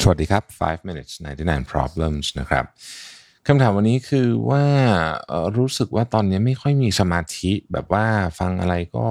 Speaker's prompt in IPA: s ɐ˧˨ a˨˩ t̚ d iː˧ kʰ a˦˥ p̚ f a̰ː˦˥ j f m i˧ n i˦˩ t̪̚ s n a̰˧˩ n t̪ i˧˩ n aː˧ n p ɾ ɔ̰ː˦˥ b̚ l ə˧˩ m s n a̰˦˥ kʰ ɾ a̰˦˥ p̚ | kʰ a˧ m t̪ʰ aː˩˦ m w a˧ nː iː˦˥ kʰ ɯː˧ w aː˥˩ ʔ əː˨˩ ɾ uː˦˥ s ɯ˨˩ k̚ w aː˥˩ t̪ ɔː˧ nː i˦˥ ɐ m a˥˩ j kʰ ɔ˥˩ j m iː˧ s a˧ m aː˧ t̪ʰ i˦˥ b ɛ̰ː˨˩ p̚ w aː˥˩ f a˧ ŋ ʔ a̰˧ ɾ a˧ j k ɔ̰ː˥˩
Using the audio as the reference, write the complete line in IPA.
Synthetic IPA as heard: s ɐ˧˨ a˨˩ t̚ d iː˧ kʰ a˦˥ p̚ f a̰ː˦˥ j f m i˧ n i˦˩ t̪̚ s n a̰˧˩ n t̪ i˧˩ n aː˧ n pʰ ɾ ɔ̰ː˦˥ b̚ l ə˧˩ m s n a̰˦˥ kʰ ɾ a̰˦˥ p̚ | kʰ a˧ m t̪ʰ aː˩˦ m w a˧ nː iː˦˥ kʰ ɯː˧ w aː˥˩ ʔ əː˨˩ ɾ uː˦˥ s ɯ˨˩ k̚ w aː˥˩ t̪ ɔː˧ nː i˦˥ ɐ m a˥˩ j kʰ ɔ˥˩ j m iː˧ s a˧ m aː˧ t̪ʰ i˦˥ b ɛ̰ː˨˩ p̚ w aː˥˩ f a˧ ŋ ʔ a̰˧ ɾ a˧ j k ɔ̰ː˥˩